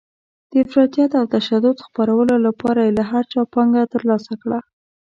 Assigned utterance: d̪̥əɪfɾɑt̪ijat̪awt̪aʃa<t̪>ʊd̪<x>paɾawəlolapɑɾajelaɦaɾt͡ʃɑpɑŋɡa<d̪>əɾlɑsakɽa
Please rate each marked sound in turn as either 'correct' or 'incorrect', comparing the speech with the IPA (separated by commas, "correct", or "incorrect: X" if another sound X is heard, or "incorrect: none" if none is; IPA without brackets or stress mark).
incorrect: d̪, correct, incorrect: t̪